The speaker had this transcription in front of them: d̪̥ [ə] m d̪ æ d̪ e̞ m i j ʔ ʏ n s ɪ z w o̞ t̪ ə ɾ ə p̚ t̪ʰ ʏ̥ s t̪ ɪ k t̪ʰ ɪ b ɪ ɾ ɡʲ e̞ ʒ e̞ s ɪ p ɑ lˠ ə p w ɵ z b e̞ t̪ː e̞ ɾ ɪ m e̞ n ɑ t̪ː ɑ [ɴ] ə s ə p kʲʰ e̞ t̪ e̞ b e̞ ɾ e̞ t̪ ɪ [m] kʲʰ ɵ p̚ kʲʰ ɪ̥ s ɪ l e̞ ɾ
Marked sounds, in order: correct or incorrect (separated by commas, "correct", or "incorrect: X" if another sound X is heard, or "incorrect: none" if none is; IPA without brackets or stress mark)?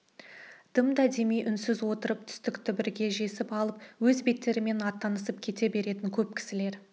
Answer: correct, incorrect: n, incorrect: ŋ